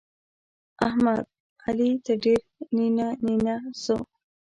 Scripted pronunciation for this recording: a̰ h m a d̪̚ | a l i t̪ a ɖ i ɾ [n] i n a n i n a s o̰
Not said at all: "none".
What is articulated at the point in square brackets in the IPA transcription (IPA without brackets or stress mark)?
n